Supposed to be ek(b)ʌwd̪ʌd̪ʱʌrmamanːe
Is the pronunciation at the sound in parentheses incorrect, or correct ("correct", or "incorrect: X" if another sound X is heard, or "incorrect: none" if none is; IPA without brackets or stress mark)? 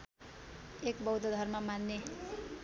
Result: correct